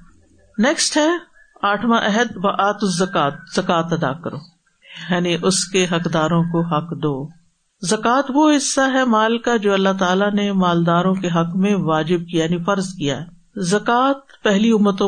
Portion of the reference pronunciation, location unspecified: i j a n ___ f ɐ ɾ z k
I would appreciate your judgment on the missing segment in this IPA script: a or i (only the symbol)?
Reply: i